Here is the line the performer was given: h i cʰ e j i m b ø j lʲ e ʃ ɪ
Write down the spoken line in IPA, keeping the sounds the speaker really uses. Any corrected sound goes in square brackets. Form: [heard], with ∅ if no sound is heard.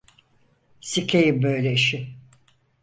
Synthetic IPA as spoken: [s] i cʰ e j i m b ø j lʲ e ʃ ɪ